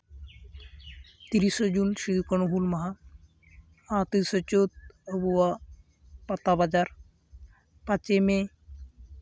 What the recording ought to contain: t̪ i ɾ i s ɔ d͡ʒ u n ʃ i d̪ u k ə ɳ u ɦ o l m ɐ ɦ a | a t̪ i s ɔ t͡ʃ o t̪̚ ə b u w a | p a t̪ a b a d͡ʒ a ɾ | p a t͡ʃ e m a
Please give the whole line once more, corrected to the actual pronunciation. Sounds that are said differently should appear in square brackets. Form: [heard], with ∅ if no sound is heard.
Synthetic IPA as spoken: t̪ i ɾ i s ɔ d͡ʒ u n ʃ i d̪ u k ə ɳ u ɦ [u] l m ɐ ɦ a | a t̪ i s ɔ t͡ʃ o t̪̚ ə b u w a | p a t̪ a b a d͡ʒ a ɾ | p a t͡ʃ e m [e]